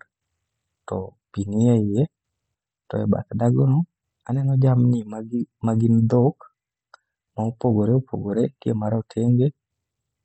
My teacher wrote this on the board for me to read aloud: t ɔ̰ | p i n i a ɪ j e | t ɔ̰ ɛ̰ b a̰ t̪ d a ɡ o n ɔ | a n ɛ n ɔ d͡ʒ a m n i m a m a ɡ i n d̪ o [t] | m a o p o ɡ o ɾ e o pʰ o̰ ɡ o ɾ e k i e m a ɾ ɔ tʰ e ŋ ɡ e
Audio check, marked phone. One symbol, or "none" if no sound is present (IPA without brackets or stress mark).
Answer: k